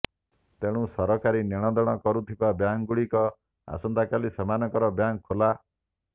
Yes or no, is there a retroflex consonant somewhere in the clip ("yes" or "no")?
yes